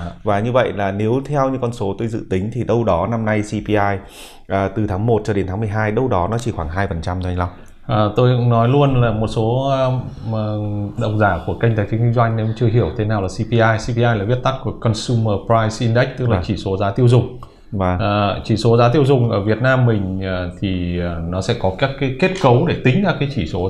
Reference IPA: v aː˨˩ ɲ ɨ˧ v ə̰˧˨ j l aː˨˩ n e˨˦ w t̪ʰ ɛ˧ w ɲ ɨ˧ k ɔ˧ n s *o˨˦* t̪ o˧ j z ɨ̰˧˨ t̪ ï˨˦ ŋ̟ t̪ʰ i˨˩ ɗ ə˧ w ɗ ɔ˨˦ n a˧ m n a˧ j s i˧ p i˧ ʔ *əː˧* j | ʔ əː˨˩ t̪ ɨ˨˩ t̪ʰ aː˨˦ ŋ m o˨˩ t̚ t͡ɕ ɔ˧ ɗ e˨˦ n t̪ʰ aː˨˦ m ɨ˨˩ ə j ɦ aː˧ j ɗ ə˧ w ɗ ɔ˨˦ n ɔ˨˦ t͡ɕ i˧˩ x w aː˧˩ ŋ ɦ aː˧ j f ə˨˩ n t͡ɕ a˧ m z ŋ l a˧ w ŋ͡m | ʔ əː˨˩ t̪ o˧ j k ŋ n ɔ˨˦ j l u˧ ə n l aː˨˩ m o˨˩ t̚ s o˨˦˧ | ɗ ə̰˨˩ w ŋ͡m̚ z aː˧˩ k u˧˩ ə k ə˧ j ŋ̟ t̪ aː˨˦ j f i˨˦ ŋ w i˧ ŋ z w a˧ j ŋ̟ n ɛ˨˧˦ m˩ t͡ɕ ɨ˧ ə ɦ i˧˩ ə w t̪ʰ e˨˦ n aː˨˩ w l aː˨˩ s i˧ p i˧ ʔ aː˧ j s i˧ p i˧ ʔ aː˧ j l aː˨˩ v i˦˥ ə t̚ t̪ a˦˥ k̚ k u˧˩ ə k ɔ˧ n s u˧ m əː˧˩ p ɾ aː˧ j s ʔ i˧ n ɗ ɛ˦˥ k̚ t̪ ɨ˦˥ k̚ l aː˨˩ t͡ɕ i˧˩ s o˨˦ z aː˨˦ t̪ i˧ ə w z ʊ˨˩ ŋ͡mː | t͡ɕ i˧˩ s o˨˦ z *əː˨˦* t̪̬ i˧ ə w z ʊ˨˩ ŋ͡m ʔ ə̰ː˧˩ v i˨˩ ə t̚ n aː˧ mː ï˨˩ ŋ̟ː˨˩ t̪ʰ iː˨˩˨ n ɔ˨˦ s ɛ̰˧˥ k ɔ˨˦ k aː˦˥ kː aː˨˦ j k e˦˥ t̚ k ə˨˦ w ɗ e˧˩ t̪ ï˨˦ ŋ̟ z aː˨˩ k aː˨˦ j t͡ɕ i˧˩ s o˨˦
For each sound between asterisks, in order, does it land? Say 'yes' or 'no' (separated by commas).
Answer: yes, no, no